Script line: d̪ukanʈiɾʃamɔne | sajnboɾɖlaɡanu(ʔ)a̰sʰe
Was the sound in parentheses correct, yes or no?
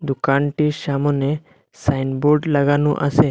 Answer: yes